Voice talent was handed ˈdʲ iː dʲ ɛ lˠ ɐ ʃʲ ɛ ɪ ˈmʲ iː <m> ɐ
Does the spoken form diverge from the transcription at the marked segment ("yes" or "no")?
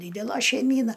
yes